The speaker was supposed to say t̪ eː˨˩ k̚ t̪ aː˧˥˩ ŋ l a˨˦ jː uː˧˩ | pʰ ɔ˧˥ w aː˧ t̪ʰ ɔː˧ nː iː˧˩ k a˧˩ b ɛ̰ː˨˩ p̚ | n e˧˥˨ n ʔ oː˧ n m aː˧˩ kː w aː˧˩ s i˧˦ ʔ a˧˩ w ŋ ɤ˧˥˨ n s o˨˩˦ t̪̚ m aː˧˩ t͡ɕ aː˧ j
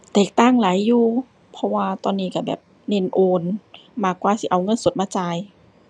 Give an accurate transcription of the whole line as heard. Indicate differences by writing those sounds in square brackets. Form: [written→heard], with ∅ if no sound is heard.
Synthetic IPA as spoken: t̪ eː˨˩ k̚ t̪ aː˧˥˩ ŋ l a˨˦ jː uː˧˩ | pʰ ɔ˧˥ w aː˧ [t̪ʰ→t̪] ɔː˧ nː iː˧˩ k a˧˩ b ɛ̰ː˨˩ p̚ | n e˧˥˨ n ʔ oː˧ n m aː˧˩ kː w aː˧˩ s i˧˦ ʔ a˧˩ w ŋ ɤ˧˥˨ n s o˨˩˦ t̪̚ m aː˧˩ t͡ɕ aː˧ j